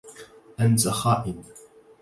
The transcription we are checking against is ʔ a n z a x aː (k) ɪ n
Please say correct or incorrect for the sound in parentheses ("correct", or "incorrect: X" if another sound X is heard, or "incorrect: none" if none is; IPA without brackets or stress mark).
incorrect: ʔ